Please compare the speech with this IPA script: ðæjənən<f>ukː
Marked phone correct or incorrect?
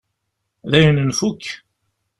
correct